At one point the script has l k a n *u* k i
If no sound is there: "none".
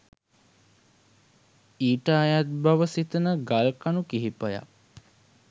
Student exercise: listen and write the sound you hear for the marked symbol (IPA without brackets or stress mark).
u